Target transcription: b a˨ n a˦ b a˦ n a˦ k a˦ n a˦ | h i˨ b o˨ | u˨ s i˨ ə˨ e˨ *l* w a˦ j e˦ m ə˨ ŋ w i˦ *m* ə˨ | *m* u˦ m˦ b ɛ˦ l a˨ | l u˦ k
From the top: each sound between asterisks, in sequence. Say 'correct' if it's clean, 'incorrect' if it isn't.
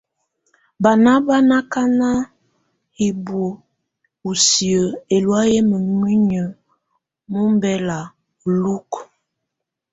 correct, incorrect: ɲ, correct

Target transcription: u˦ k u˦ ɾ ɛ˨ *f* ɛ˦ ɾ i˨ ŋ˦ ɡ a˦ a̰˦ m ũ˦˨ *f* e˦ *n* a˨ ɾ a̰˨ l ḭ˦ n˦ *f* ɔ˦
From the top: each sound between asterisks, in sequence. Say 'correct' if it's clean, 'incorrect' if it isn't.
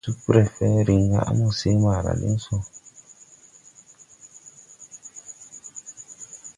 correct, incorrect: s, incorrect: m, incorrect: s

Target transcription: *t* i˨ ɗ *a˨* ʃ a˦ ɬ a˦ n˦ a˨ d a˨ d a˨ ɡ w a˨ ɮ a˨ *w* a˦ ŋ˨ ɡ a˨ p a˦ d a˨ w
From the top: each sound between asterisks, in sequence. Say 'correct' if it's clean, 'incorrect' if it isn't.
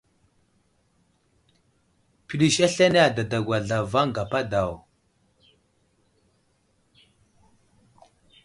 incorrect: p, incorrect: i˨, incorrect: v

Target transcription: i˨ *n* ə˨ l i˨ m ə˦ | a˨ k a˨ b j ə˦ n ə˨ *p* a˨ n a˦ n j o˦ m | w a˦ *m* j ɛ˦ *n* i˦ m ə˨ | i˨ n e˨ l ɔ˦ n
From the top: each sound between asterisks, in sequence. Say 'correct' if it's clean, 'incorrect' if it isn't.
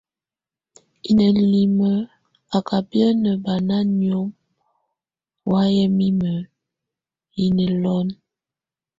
correct, incorrect: b, incorrect: none, incorrect: m

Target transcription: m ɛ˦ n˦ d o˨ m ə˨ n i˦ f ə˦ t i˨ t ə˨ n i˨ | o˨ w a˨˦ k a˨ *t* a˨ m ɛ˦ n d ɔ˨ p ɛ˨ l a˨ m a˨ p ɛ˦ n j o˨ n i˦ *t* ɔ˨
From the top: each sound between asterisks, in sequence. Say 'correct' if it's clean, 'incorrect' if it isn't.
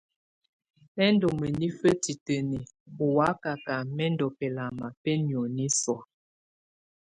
incorrect: k, incorrect: s

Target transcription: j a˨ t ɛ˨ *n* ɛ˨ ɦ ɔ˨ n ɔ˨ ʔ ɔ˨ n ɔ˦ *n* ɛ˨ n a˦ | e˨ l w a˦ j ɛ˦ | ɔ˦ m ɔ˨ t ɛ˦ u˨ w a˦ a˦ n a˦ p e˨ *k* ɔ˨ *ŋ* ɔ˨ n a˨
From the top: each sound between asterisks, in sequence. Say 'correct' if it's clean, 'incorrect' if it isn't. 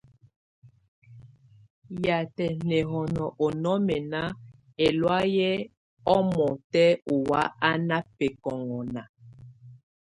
correct, incorrect: m, correct, correct

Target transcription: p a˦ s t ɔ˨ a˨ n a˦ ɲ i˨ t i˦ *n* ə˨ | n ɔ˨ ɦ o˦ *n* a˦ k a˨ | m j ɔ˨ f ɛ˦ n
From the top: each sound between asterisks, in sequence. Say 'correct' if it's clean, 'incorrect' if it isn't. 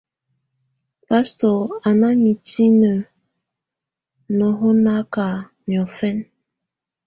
correct, correct

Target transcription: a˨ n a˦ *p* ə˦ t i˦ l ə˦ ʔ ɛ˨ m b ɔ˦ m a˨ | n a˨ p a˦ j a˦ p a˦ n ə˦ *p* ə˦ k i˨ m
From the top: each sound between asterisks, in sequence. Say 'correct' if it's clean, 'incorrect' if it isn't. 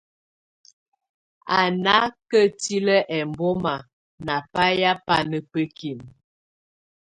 incorrect: k, correct

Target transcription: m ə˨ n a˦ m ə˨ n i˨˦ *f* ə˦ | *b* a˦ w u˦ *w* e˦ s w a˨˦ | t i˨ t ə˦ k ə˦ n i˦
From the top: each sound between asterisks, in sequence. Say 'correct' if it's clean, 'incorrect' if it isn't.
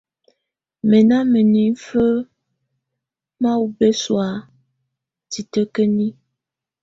correct, incorrect: m, incorrect: b

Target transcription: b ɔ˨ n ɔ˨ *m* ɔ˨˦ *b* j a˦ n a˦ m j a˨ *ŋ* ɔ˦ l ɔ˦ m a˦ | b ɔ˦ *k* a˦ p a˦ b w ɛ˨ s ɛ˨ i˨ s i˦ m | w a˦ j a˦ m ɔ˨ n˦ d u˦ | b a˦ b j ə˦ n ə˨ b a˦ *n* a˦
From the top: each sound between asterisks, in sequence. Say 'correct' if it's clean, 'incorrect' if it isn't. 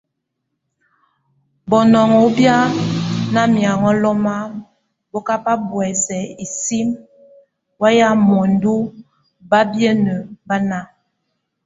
incorrect: ŋ, correct, correct, correct, correct

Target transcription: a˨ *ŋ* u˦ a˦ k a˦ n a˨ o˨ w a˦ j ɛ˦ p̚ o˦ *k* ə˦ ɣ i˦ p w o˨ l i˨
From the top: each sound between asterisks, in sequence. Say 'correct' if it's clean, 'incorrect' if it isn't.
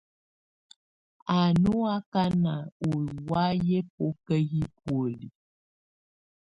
incorrect: n, correct

